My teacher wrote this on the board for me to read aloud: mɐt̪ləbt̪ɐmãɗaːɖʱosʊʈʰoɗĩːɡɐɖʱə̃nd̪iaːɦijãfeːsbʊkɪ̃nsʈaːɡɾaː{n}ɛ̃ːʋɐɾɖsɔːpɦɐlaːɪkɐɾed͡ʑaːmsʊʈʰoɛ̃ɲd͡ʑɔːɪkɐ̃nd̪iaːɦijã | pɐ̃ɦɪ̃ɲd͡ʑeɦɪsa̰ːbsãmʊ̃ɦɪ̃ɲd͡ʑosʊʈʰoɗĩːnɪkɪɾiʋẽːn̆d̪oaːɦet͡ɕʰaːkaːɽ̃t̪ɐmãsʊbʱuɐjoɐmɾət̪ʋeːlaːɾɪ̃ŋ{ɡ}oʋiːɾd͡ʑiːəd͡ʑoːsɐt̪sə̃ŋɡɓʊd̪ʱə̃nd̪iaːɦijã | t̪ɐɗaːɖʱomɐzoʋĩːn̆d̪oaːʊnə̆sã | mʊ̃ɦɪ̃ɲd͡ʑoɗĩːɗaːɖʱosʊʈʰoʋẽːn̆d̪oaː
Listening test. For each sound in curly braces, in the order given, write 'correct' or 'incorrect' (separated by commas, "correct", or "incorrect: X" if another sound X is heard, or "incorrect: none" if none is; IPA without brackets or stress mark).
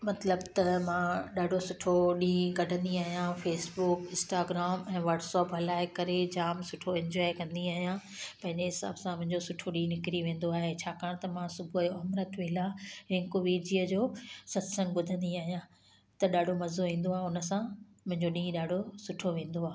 incorrect: m, incorrect: k